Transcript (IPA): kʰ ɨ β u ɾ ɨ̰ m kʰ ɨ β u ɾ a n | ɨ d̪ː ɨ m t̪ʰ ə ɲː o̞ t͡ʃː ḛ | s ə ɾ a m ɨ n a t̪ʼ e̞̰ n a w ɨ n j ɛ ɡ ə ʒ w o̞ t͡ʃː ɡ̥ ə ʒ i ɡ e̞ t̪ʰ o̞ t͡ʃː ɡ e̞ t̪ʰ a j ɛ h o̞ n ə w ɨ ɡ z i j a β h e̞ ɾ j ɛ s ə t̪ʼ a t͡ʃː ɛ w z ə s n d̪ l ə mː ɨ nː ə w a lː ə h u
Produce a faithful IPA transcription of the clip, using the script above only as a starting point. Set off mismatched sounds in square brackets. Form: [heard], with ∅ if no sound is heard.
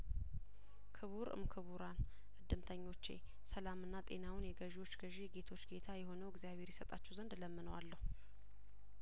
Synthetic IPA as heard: kʰ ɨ β u ɾ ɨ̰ m kʰ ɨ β u ɾ a n | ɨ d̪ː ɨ m t̪ʰ ə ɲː o̞ t͡ʃː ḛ | s ə [l] a m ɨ [nː] a t̪ʼ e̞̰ n a w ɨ n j ɛ ɡ ə ʒ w o̞ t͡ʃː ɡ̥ ə ʒ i ɡ e̞ t̪ʰ o̞ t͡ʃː ɡ e̞ t̪ʰ a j ɛ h o̞ n ə w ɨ ɡ z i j a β h e̞ ɾ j ɛ s ə t̪ʼ a t͡ʃː ɛ w z ə [∅] n d̪ l ə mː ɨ [n] ə w a lː ə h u